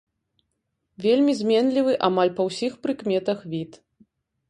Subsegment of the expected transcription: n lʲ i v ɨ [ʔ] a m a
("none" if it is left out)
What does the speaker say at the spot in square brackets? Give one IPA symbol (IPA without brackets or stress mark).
ʔ